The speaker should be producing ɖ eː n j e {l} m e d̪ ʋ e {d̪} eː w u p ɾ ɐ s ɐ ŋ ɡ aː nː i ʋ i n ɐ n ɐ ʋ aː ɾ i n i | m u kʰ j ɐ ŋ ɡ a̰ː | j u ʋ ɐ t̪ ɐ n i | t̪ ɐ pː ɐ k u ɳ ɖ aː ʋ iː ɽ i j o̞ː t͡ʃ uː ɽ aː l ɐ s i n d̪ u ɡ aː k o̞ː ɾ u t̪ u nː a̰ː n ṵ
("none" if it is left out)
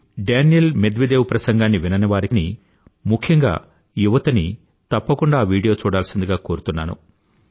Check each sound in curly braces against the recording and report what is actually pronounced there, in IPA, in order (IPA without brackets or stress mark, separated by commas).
l, d̪